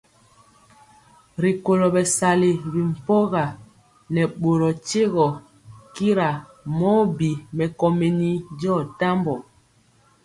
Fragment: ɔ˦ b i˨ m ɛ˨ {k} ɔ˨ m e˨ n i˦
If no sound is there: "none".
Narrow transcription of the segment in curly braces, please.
k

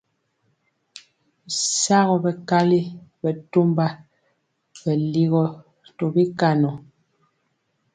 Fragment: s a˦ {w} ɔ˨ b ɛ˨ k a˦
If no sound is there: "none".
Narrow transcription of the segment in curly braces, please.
ɣ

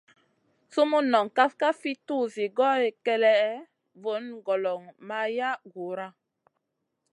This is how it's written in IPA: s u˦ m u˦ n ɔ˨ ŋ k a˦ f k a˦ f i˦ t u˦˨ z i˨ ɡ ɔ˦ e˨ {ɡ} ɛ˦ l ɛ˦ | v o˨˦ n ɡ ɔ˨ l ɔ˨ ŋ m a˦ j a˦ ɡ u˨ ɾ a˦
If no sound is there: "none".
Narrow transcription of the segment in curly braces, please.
k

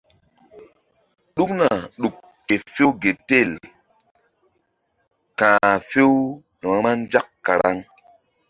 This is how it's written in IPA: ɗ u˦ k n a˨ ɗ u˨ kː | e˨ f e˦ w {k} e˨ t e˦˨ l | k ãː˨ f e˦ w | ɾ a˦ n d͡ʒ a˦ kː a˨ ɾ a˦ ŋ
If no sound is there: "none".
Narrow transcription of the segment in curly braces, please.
ɡ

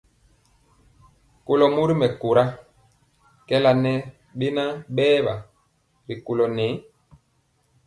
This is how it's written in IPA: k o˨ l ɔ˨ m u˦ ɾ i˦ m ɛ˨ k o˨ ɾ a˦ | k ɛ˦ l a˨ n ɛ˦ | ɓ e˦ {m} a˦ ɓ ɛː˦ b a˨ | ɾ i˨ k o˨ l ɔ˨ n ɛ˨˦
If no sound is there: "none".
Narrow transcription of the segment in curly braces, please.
n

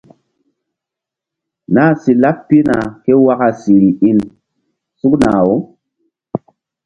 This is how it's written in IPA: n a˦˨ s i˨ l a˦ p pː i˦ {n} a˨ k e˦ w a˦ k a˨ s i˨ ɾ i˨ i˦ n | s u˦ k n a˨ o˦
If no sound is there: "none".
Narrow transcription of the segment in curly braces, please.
n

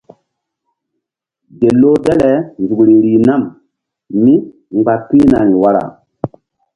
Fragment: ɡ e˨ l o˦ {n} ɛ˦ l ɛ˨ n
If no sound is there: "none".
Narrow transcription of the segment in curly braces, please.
d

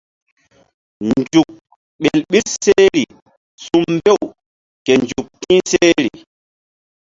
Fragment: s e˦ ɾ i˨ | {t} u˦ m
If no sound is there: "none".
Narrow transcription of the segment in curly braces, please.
s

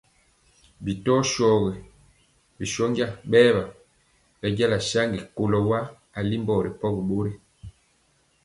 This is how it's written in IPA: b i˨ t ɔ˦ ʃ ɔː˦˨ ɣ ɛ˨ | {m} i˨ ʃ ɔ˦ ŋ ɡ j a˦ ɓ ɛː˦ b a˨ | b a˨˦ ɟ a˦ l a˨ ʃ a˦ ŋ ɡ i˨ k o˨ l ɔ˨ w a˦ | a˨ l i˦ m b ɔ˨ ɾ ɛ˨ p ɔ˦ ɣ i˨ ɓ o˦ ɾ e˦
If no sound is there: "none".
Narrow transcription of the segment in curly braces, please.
b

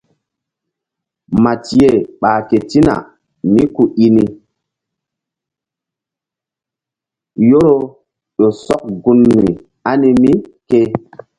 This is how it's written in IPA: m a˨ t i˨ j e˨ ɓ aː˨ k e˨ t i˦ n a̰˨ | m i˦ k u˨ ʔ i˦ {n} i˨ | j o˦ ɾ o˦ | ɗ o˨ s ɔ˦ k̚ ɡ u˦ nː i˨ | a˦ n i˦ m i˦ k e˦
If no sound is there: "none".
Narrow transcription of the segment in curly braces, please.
n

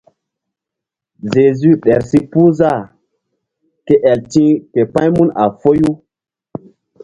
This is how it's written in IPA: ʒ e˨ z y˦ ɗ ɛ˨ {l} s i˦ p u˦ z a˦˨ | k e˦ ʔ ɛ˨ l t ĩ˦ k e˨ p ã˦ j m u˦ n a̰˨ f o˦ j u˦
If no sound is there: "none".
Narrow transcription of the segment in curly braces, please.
ɾ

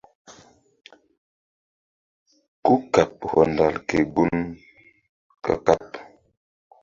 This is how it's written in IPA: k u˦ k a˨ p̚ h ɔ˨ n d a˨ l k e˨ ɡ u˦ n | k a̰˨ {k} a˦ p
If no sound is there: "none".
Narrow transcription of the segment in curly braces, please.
k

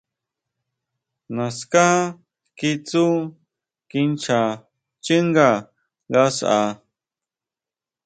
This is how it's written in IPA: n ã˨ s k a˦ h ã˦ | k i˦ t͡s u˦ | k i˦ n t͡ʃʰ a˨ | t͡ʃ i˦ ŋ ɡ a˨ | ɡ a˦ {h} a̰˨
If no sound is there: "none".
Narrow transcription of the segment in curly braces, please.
s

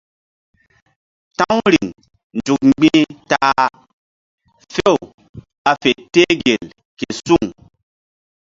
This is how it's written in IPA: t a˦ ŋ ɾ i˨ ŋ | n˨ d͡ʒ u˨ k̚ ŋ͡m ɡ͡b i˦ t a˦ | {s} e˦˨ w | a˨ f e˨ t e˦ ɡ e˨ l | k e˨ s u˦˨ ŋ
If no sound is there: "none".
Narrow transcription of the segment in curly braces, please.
f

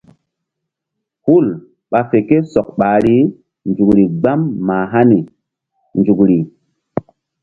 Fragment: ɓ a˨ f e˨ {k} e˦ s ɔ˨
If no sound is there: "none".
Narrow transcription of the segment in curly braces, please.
k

